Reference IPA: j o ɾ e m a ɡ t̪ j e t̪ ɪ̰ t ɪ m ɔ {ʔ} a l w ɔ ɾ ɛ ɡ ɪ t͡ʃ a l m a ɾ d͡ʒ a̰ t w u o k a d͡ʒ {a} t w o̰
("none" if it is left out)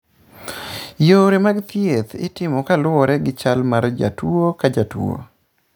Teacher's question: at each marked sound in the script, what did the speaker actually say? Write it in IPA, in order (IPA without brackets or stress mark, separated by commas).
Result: k, a